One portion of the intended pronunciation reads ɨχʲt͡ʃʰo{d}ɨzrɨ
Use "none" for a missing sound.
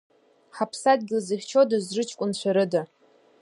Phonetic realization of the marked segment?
d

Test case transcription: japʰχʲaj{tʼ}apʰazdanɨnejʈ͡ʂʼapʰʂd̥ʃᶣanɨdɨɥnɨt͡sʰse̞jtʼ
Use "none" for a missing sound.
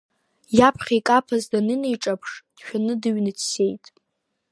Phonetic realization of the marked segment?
kʼ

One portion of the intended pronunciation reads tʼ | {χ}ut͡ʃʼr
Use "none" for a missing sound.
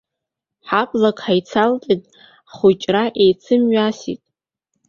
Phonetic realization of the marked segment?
χ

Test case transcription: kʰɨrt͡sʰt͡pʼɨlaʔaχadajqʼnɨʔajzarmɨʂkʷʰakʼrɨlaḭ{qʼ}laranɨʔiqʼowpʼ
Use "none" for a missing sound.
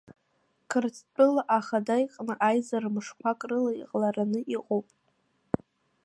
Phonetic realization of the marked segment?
qʼ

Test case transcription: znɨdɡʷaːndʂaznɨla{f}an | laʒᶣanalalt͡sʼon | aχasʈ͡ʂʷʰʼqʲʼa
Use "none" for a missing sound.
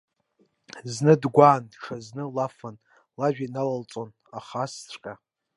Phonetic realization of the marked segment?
f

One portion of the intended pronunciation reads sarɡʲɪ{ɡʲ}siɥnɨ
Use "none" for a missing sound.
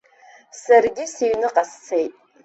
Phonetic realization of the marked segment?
none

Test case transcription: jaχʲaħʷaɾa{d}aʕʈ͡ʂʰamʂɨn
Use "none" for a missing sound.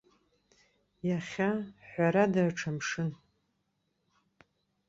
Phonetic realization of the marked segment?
d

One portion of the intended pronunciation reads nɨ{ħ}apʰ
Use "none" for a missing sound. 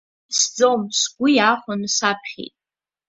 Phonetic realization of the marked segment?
s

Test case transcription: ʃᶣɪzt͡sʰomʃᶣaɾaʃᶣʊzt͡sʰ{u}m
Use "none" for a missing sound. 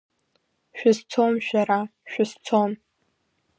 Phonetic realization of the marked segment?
o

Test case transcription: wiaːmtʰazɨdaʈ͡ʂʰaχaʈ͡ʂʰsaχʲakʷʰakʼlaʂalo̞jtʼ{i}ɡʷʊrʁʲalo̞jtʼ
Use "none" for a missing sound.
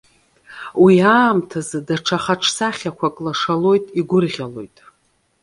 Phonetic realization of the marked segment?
i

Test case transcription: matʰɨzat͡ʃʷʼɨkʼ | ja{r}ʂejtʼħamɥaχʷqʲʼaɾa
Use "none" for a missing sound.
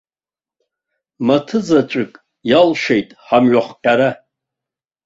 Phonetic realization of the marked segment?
l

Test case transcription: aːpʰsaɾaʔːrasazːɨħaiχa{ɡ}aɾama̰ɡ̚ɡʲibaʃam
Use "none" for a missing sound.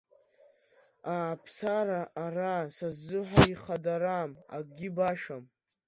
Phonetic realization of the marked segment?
d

